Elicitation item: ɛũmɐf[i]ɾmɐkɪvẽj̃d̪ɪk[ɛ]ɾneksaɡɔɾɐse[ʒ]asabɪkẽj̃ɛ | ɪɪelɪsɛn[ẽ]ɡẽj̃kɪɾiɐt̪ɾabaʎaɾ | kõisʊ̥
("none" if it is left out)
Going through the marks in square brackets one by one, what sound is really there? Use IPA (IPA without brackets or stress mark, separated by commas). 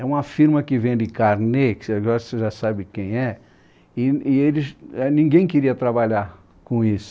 i, a, ʒ, ĩ